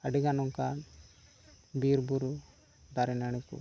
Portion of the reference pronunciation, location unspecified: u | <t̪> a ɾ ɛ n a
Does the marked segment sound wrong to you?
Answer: yes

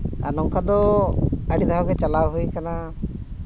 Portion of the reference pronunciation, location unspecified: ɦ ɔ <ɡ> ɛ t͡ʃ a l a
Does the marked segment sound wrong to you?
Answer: no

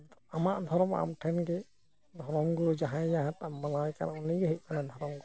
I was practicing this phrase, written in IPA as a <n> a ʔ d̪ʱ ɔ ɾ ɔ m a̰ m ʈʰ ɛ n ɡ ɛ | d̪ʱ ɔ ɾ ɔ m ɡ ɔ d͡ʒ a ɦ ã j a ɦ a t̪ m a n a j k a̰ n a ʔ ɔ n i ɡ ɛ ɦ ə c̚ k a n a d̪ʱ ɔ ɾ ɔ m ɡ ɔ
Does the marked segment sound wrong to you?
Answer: yes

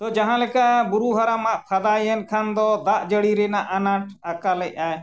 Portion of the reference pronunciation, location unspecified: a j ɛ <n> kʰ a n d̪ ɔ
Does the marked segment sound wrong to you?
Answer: no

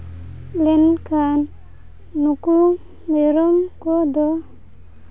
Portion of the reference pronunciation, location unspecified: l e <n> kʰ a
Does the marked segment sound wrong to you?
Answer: no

